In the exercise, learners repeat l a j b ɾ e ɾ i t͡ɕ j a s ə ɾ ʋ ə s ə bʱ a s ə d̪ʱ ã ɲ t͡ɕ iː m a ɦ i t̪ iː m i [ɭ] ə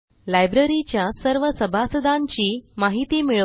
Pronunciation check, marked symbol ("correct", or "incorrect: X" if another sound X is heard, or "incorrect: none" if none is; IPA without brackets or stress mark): correct